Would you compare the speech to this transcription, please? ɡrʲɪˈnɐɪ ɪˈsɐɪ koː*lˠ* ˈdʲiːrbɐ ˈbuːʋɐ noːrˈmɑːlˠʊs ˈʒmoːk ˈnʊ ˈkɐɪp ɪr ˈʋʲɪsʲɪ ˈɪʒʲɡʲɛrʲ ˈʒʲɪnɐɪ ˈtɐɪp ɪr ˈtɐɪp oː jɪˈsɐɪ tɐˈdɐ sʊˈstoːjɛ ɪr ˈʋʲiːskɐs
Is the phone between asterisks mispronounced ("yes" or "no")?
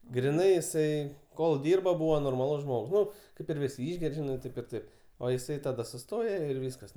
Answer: no